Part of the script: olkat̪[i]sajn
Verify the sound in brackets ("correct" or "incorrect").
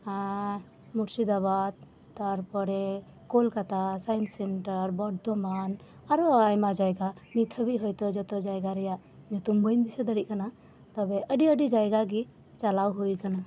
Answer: incorrect